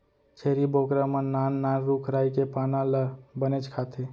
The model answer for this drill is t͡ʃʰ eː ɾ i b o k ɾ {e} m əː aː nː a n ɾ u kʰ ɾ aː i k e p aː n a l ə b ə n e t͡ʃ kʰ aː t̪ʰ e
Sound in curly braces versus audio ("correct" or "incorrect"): incorrect